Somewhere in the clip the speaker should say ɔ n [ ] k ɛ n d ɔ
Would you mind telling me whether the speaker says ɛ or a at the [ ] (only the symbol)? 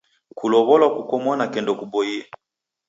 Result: a